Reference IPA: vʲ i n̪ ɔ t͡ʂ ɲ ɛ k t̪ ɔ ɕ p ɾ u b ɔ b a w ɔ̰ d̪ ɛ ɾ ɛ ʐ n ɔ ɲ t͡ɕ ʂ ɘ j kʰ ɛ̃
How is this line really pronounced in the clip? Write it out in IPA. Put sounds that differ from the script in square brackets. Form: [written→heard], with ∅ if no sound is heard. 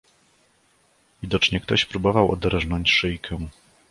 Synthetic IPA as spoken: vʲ i [n̪→d̪] ɔ t͡ʂ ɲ ɛ k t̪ ɔ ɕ p ɾ u b ɔ [b→v] a w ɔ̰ d̪ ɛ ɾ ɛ ʐ n ɔ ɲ t͡ɕ ʂ ɘ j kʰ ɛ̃